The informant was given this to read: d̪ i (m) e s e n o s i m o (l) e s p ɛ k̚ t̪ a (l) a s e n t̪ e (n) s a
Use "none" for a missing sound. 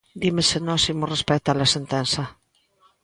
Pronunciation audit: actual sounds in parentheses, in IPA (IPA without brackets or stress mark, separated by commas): m, r, l, n